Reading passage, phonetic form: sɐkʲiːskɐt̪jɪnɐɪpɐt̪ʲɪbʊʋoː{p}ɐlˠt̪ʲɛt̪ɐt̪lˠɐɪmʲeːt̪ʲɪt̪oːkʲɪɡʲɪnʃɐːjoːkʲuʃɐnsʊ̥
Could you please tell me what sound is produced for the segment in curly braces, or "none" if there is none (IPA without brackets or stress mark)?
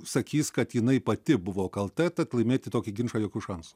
k